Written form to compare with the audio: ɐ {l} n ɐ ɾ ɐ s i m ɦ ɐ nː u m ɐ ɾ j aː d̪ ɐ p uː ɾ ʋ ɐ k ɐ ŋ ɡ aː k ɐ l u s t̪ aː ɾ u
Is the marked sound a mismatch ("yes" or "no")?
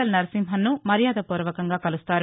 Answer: no